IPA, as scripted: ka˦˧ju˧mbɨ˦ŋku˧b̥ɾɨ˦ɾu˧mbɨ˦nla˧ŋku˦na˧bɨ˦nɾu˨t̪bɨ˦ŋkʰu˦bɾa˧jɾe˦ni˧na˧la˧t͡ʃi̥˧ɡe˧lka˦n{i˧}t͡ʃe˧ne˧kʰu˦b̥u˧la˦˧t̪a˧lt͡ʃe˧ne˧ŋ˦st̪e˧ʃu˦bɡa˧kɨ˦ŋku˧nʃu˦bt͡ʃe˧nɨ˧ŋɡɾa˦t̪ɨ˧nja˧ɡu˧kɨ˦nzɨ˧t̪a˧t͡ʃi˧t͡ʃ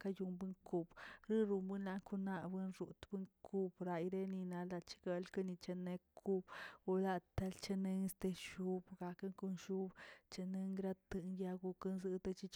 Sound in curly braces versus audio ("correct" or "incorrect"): correct